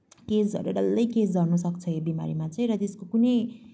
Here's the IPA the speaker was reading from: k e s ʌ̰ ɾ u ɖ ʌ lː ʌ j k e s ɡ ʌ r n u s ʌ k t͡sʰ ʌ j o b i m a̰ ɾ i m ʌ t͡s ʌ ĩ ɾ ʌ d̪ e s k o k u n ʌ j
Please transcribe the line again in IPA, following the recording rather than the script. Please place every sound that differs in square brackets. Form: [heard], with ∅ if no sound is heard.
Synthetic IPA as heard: k e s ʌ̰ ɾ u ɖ ʌ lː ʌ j k e s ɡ ʌ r n u s ʌ k t͡sʰ ʌ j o b i m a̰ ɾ i m [a] t͡s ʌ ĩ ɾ ʌ [t̪] e s k o k u n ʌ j